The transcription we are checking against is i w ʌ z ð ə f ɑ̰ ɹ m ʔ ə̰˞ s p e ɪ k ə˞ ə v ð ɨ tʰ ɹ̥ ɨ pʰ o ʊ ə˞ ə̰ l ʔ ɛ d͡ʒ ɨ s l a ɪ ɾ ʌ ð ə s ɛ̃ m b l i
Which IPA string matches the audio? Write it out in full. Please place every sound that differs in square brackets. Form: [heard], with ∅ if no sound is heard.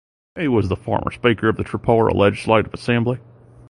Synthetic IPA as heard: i w ʌ z ð ə f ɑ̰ ɹ m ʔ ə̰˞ s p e ɪ k ə˞ [ʌ] v ð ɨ tʰ ɹ̥ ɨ pʰ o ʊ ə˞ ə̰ l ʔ ɛ d͡ʒ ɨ s l [e] ɪ ɾ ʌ [v] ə s ɛ̃ m b l i